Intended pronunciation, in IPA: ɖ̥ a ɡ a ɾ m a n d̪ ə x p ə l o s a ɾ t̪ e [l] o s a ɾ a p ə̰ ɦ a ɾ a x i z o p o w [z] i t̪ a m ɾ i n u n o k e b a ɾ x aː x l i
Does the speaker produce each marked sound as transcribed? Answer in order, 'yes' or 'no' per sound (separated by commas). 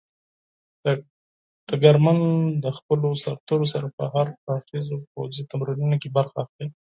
no, yes